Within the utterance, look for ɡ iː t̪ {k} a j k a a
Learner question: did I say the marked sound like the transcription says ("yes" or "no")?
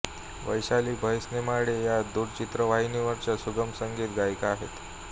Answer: no